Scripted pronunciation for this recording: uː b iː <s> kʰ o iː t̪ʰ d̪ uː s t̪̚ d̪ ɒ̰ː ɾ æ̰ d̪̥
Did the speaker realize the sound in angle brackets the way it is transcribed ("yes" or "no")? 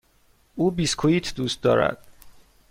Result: yes